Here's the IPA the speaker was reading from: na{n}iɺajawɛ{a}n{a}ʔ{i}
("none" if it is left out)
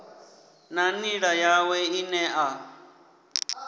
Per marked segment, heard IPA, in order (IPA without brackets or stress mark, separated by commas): n, i, ɛ, a